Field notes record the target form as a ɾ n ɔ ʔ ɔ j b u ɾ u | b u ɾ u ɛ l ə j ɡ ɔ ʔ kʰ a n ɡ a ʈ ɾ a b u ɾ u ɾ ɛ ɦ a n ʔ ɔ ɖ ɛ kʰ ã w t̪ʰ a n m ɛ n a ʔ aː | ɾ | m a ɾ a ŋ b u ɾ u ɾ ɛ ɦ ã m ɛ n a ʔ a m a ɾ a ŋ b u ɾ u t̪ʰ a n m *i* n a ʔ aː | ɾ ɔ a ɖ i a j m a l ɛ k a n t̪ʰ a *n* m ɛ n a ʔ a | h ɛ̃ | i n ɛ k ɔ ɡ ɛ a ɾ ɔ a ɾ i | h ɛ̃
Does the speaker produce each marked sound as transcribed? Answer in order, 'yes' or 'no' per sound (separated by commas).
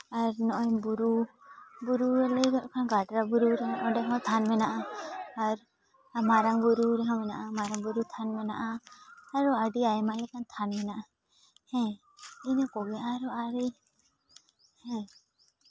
no, yes